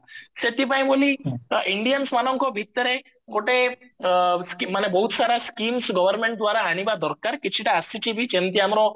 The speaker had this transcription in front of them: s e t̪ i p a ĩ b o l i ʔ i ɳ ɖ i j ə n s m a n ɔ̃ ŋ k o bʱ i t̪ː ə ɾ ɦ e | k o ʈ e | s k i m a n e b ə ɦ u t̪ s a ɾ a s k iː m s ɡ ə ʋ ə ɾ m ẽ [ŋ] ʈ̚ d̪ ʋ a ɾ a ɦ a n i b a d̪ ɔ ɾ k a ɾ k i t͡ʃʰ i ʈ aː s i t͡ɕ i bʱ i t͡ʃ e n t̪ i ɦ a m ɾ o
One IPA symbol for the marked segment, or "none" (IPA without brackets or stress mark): ɳ